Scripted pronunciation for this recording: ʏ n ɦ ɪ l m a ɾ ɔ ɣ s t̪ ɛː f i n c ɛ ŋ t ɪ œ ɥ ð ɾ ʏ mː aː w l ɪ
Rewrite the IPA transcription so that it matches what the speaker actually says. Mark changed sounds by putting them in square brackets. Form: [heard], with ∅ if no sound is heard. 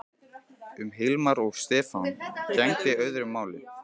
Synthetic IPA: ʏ [m] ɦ ɪ l m a ɾ ɔ ɣ s t̪ ɛː f [a] n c ɛ ŋ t ɪ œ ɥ ð ɾ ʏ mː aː w l ɪ